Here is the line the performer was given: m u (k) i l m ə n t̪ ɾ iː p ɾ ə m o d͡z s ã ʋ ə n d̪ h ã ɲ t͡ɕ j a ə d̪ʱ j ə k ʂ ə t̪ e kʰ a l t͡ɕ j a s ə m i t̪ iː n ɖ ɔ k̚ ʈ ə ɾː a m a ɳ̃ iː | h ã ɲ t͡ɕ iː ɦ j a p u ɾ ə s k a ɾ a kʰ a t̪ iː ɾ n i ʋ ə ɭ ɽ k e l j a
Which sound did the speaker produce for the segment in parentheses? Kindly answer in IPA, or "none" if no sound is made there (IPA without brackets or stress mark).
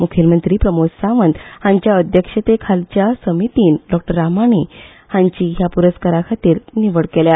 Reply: kʰ